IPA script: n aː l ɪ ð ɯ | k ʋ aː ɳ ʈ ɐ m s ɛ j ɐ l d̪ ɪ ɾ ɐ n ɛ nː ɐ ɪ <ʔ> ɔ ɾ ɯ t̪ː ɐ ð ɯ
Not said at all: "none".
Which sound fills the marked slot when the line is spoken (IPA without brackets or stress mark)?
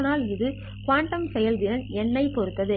p